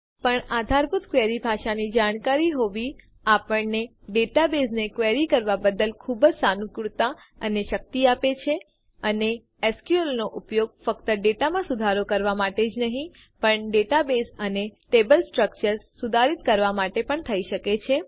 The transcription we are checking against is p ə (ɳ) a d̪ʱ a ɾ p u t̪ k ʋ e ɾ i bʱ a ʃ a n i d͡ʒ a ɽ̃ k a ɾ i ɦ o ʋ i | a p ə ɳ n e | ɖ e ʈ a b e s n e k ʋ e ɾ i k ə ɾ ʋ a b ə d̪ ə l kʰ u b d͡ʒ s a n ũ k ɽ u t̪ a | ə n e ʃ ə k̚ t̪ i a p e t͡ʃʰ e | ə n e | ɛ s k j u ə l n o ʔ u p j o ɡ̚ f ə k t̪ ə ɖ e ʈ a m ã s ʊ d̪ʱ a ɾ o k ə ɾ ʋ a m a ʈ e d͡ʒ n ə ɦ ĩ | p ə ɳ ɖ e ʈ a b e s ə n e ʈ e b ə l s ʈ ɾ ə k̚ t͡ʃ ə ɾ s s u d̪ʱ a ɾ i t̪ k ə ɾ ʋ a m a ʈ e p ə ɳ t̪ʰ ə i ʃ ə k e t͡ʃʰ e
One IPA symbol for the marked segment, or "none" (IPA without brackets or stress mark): ɳ